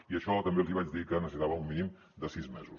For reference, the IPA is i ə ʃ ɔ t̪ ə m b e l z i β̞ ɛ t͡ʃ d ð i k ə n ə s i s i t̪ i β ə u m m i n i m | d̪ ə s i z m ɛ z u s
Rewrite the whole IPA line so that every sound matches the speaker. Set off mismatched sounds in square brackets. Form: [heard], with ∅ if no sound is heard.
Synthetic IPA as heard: i ə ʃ ɔ t̪ ə m b e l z i β̞ [a] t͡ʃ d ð i k ə n ə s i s i t̪ [a] β ə u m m i n i m | d̪ ə s i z m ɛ z u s